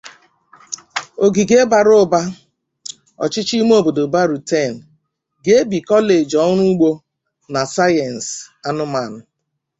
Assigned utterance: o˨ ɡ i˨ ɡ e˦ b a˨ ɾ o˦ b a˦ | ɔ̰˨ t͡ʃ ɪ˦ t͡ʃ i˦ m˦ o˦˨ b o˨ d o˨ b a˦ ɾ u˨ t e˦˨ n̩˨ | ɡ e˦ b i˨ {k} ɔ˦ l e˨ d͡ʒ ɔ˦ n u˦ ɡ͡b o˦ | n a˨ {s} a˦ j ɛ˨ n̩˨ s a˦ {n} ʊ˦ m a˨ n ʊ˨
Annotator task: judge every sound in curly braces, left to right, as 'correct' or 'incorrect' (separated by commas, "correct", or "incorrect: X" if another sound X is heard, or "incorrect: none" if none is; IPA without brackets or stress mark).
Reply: correct, correct, correct